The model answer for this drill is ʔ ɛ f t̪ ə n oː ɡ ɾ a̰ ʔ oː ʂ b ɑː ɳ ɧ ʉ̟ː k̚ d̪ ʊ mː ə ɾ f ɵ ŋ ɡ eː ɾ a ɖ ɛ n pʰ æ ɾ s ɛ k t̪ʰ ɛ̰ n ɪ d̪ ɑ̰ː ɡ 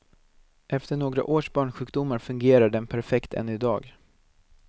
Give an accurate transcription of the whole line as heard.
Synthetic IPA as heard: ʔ ɛ f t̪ ə ɳ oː ɡ ɾ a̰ ʔ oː ʂ b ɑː ɳ ɧ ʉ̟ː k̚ d̪ ʊ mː a ɾ f ɵ ŋ ɡ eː ɾ a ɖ ɛ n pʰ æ ɾ f ɛ k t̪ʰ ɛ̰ n ɪ d̪ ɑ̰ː ɡ

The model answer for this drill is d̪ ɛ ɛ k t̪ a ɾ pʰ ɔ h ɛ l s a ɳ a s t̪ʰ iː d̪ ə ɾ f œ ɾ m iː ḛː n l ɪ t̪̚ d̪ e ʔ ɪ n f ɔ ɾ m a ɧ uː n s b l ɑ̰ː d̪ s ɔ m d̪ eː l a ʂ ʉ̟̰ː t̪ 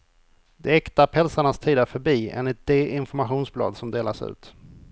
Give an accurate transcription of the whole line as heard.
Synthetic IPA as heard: d̪ ɛ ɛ k t̪ a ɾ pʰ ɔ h ɛ l s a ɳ a s t̪ʰ iː d̪ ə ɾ f œ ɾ b iː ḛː n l ɪ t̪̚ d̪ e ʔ ɪ n f ɔ ɾ m a ɧ uː n s b l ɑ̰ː d̪ s ɔ m d̪ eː l a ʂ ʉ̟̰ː t̪

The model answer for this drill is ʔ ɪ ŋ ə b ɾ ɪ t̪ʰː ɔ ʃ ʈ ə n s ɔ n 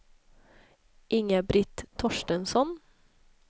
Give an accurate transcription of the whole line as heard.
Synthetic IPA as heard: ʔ ɪ ŋ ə b ɾ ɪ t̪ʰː ɔ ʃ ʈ ə n s ɔ n

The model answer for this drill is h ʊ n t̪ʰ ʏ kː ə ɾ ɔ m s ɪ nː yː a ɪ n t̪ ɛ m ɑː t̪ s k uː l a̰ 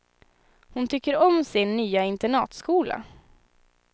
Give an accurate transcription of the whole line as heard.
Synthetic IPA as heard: h ʊ n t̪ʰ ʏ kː ə ɾ ɔ m s ɪ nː yː a ɪ n t̪ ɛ ɳ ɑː t̪ s k uː l a̰

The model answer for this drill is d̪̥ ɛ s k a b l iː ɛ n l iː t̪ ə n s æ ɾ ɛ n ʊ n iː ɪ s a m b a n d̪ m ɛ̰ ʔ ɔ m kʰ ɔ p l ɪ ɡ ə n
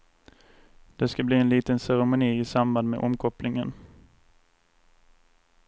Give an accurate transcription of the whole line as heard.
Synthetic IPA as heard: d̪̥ ɛ s k a b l iː ɛ n l iː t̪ ə n s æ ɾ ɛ m ʊ n iː ɪ s a m b a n d̪ m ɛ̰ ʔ ɔ m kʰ ɔ p l ɪ ŋ ə n

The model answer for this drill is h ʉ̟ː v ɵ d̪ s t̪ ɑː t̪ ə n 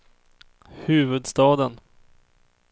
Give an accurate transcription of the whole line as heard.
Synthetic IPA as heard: h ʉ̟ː v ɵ d̪ s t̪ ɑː d̪ ə n

